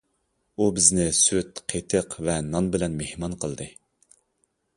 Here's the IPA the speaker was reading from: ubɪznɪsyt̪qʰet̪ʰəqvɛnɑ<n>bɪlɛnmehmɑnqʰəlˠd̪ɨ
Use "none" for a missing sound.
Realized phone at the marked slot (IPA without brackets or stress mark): n